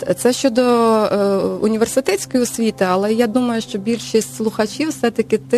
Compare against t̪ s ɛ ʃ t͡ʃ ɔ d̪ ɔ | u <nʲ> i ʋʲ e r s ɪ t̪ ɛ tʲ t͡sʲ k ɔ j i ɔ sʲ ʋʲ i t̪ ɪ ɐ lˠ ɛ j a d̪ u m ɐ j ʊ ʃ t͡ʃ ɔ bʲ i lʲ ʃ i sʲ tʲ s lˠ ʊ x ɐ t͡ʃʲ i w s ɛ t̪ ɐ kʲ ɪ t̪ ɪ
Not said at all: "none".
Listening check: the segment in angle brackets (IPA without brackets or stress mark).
nʲ